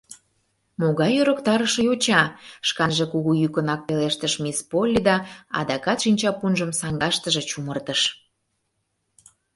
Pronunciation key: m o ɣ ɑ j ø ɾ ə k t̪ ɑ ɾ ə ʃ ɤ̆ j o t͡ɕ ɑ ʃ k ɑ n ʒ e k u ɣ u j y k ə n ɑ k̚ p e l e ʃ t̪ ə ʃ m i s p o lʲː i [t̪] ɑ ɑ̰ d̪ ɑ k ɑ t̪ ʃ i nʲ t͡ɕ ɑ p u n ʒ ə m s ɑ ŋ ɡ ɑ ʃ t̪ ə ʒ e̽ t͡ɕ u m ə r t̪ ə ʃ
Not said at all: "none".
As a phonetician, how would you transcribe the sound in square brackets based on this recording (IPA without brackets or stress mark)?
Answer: d̪